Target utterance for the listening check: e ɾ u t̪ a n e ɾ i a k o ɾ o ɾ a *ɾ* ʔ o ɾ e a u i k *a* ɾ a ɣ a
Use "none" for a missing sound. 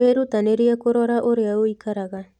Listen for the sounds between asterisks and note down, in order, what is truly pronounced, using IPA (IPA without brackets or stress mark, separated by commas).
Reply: none, a